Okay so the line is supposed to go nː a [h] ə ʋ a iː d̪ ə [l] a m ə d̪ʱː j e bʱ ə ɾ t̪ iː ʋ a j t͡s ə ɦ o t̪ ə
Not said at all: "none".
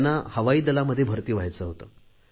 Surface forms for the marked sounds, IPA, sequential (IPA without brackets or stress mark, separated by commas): h, l